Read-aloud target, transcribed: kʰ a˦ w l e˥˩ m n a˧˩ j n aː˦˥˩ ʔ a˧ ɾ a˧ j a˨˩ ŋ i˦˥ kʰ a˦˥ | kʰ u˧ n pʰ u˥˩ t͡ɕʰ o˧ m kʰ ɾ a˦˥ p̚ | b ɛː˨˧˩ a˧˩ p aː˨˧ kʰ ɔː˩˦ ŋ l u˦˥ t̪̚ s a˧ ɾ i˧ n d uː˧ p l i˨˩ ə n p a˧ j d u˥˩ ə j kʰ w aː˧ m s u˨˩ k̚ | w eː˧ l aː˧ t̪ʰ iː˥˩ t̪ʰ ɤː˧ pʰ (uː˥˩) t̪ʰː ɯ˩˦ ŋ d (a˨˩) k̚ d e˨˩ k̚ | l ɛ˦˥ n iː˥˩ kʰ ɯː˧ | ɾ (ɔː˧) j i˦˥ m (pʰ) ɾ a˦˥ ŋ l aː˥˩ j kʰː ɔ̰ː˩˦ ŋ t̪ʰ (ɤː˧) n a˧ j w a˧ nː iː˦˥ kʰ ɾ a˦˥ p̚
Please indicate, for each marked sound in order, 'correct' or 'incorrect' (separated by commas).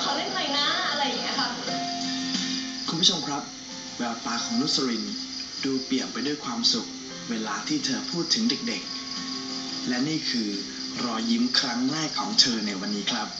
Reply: correct, incorrect, correct, incorrect, correct